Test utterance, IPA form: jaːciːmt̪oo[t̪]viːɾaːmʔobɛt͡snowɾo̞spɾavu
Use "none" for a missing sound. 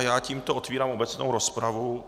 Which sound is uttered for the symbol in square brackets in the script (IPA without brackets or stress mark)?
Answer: t̪